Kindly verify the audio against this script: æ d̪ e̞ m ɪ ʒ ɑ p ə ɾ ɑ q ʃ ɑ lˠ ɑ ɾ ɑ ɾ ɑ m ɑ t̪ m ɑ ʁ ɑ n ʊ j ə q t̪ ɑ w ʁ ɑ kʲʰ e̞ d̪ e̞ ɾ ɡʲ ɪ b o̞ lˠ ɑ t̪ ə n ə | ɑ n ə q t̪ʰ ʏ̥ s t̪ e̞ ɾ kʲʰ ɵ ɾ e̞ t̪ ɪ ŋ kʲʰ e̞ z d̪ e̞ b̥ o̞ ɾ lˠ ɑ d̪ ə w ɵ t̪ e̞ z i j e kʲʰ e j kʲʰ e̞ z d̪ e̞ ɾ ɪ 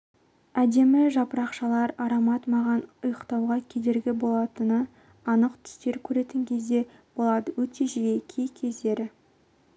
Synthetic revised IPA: æ d̪ e̞ m ɪ ʒ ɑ p ə ɾ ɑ q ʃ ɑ lˠ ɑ ɾ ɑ ɾ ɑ m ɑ t̪ m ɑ ʁ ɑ n ʊ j ə q t̪ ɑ w ʁ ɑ kʲʰ e̞ d̪ e̞ ɾ ɡʲ ɪ b o̞ lˠ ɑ t̪ ə n ə | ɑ n ə q t̪ʰ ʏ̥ s t̪ e̞ ɾ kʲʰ ɵ ɾ e̞ t̪ ɪ ŋ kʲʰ e̞ z d̪ e̞ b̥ o̞ lˠ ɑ d̪ ə w ɵ t̪ e̞ ʒ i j e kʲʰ e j kʲʰ e̞ z d̪ e̞ ɾ ɪ